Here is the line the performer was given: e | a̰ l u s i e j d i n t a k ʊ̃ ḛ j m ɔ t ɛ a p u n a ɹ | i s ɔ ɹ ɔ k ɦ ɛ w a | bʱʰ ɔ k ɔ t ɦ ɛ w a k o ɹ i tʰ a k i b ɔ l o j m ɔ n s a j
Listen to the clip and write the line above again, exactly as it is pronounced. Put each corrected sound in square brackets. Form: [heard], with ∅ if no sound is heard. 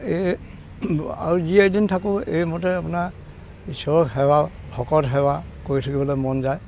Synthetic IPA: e | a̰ [ɹ] u [z] i e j d i n [tʰ] a k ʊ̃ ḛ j m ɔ t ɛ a p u n a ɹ | i s ɔ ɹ ɔ k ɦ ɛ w a | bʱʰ ɔ k ɔ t ɦ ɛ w a k o ɹ i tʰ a k i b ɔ l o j m ɔ n [z] a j